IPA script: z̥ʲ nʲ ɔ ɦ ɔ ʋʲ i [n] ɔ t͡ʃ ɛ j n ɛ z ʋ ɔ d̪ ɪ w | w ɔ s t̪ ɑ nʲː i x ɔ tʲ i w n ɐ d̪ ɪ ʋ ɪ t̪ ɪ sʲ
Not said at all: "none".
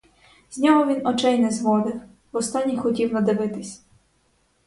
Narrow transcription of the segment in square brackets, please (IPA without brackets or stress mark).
n